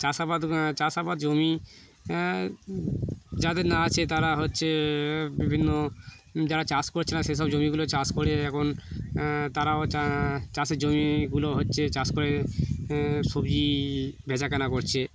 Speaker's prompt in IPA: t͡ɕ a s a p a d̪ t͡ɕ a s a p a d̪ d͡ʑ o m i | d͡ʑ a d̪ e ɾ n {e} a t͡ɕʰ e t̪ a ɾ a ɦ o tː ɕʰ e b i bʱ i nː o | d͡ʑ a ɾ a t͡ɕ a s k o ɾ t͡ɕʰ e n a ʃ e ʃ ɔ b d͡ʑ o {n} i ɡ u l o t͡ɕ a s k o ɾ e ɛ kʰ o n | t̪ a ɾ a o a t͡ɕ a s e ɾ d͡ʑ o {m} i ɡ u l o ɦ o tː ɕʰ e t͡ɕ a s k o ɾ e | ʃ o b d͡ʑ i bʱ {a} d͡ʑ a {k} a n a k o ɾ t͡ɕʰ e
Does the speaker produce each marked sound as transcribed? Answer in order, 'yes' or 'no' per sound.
no, no, yes, no, yes

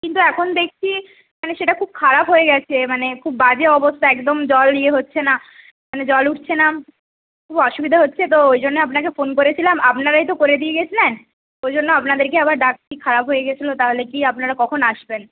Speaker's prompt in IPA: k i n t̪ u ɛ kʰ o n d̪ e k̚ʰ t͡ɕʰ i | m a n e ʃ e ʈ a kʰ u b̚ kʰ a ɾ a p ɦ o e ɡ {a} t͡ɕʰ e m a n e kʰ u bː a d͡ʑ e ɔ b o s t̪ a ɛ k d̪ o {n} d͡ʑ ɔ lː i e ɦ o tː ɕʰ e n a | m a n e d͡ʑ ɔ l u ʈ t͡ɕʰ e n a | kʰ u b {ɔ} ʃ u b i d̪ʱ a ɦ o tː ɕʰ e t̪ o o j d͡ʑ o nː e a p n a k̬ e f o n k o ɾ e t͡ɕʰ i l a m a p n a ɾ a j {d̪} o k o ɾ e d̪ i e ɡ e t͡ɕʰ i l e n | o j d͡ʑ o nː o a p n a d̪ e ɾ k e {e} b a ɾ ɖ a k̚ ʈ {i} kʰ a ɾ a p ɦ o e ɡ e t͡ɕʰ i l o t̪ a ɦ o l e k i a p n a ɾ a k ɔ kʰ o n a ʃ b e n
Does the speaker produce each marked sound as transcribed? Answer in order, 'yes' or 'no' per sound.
no, no, yes, no, no, yes

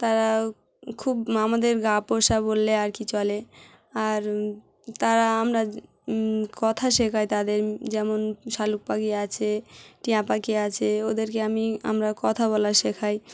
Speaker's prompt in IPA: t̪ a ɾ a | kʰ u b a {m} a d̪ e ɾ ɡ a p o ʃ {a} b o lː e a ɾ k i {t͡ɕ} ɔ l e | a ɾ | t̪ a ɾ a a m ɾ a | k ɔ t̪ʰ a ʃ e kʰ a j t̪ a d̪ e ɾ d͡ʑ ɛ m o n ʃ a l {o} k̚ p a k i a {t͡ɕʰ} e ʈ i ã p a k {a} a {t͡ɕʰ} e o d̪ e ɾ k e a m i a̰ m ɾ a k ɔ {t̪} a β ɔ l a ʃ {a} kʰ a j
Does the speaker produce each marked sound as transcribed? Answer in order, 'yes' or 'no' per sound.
yes, yes, yes, no, yes, no, yes, no, no

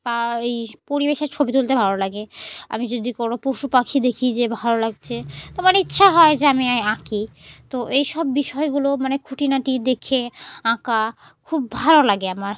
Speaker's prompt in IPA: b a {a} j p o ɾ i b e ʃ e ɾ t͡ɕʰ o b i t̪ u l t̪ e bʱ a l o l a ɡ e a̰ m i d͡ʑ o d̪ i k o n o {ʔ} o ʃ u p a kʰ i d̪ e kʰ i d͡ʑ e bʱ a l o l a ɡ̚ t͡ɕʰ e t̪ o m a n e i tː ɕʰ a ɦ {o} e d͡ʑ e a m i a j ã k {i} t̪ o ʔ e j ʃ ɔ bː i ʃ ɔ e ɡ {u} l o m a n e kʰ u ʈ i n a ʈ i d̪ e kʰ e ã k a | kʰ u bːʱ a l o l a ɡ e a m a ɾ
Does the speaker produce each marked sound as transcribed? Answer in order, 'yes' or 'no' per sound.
no, no, no, yes, yes

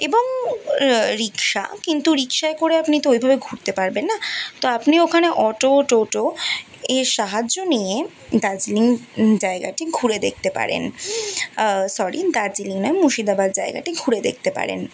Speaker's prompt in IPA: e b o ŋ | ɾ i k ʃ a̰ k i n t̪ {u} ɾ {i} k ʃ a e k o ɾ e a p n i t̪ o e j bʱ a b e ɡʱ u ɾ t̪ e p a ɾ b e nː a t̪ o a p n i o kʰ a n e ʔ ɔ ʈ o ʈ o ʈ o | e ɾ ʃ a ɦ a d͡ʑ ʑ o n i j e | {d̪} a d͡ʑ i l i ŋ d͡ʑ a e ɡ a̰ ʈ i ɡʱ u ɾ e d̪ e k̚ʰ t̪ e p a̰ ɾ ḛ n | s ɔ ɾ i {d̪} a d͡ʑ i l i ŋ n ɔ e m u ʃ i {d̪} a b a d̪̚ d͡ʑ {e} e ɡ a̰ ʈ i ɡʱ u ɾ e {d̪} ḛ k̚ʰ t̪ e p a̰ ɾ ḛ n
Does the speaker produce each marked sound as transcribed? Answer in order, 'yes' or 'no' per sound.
yes, yes, yes, yes, yes, no, yes

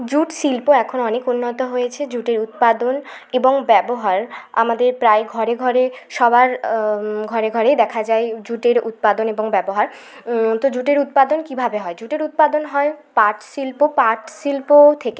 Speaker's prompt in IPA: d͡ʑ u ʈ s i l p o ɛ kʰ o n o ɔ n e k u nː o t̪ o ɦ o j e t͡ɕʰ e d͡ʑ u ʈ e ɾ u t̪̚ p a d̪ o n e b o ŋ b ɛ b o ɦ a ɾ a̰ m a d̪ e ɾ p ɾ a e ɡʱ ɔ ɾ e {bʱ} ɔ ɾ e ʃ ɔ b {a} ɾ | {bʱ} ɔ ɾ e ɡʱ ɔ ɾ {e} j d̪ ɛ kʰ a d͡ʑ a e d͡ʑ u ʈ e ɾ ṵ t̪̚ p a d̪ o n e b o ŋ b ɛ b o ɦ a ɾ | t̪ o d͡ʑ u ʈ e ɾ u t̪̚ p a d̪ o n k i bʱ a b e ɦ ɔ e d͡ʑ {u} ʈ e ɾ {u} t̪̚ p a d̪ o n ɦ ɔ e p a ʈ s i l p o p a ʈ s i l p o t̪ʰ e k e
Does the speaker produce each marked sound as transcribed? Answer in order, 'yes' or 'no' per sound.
no, yes, no, yes, yes, yes

